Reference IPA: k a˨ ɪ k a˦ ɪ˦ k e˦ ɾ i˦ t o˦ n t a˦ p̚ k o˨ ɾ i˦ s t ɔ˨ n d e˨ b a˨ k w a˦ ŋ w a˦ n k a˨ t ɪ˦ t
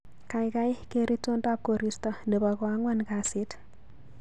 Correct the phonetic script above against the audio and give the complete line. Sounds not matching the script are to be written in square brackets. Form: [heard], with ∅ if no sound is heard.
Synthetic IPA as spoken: k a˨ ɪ k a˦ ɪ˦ k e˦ ɾ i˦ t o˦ n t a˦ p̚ k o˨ ɾ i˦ s t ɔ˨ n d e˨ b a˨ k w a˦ ŋ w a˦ n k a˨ [s] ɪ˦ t